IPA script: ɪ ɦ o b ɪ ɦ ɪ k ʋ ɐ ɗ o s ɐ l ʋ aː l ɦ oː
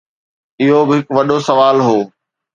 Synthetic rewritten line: ɪ ɦ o b ɪ ɦ ɪ k ʋ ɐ ɗ o s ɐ ʋ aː l ɦ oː

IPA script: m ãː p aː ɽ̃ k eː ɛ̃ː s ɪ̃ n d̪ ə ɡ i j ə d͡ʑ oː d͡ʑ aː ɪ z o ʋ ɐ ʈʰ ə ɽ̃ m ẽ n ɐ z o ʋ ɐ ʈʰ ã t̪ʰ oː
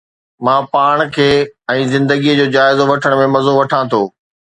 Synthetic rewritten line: m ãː p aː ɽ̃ kʰ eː ɛ̃ː z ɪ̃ n d̪ ə ɡ i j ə d͡ʑ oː d͡ʑ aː ɪ z o ʋ ɐ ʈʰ ə ɽ̃ m ẽ m ɐ z o ʋ ɐ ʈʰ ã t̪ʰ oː

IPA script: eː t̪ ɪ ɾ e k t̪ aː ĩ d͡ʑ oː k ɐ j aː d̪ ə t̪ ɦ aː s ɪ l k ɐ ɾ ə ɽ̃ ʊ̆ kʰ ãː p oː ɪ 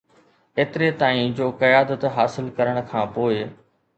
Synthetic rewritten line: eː t̪ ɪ ɾ e t̪ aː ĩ d͡ʑ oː k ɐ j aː d̪ ə t̪ ɦ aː s ɪ l k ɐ ɾ ə ɽ̃ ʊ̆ kʰ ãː p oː ɪ

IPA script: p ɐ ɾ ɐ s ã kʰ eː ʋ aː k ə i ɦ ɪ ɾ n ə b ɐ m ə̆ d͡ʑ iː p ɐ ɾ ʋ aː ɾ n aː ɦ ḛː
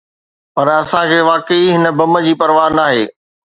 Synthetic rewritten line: p ɐ ɾ ɐ s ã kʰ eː ʋ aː k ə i ɦ ɪ n ə b ɐ m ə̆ d͡ʑ iː p ɐ ɾ ʋ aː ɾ n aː ɦ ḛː

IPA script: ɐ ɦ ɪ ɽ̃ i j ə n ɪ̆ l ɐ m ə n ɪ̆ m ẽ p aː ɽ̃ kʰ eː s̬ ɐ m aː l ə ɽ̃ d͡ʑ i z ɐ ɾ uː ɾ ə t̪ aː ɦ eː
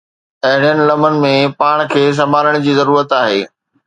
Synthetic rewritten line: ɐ ɦ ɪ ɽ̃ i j ə n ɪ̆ l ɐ m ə n ɪ̆ m ẽ p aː ɽ̃ kʰ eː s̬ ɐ m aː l ə ɽ̃ d͡ʑ iː z ɐ ɾ uː ɾ ə t̪ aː ɦ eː

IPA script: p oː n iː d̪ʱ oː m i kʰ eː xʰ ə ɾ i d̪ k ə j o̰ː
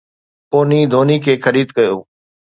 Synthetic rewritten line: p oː n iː d̪ʱ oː n i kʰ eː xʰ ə ɾ iː d̪ k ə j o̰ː

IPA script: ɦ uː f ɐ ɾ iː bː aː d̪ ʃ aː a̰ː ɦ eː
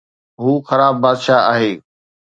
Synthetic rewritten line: ɦ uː x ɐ ɾ aː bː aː d̪ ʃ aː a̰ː ɦ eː

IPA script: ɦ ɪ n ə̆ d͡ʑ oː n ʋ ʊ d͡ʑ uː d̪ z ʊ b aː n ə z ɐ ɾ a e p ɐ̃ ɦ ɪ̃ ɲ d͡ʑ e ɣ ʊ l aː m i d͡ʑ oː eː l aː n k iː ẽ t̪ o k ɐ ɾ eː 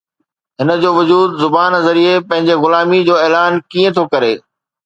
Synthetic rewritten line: ɦ ɪ n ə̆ d͡ʑ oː ʋ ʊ d͡ʑ uː d̪ z ʊ b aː n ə z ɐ ɾ i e p ɐ̃ ɦ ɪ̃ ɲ d͡ʑ e ɣ ʊ l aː m i d͡ʑ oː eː l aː n k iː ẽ t̪ʰ o k ɐ ɾ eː

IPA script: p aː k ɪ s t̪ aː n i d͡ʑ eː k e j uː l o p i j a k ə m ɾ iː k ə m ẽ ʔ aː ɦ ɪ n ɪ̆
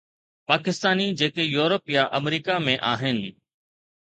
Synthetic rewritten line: p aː k ɪ s t̪ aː n i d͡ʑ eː k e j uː ɾ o p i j a ʔ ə m ɾ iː k a m ẽ ʔ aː ɦ ɪ n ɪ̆

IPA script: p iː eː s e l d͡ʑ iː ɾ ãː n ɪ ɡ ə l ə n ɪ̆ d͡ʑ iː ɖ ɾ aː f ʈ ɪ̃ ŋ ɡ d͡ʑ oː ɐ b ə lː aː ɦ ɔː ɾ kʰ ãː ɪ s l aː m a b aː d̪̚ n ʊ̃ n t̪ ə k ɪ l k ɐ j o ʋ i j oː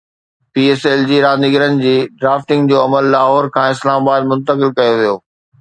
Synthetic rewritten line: p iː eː s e l d͡ʑ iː ɾ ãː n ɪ ɡ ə ɾ ə n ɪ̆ d͡ʑ iː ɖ ɾ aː f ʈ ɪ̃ ŋ ɡ d͡ʑ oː ɐ m ə lː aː ɦ ɔː ɾ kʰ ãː ɪ s l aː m a b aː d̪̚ m ʊ̃ n t̪ ə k ɪ l k ɐ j o ʋ i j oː

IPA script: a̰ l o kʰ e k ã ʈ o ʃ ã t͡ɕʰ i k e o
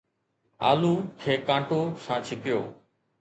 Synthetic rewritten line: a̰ l u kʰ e k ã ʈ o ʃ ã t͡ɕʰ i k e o

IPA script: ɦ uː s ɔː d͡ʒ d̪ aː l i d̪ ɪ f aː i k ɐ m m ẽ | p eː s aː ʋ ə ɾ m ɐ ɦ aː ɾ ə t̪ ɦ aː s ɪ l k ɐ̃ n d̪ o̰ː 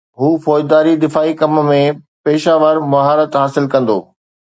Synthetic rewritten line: ɦ uː f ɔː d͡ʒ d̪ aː ɾ i d̪ ɪ f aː i k ɐ m m ẽ | p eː ʃ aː ʋ ə ɾ m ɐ ɦ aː ɾ ə t̪ ɦ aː s ɪ l k ɐ̃ n d̪ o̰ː

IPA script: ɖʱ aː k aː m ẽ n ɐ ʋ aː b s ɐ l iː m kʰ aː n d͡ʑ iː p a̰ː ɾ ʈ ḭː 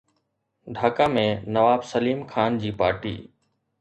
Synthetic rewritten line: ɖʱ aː k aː m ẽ n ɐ ʋ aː b s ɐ l iː m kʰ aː n d͡ʑ iː p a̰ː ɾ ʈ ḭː

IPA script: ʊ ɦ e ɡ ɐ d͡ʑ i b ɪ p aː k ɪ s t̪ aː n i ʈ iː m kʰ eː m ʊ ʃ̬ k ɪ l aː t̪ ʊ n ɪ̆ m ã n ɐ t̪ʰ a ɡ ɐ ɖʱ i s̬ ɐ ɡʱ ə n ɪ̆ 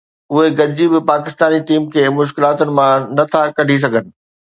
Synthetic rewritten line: ʊ ɦ e ɡ ɐ d͡ʑ i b ɪ p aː k ɪ s t̪ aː n i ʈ iː m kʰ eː m ʊ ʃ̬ k ɪ l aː t̪ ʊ n ɪ̆ m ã n ɐ t̪ʰ a k ɐ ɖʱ i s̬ ɐ ɡʱ ə n ɪ̆

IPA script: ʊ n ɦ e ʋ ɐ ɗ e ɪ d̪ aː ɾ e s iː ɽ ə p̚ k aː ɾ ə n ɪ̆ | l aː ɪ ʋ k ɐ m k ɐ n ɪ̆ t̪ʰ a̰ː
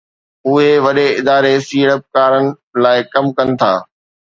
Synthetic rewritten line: ʊ ɦ e ʋ ɐ ɗ e ɪ d̪ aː ɾ e s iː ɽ ə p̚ k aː ɾ ə n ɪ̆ | l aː ɪ k ɐ m k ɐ n ɪ̆ t̪ʰ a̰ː

